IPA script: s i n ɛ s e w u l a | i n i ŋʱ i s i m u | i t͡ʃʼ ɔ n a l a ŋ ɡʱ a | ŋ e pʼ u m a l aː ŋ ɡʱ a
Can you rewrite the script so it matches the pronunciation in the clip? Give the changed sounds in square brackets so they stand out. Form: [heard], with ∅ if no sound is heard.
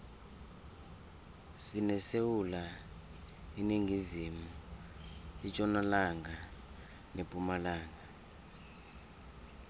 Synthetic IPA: s i n ɛ s e w u l a | i n i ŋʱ i [z] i m u | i t͡ʃʼ ɔ n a l a ŋ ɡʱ a | [n] e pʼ u m a l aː ŋ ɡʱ a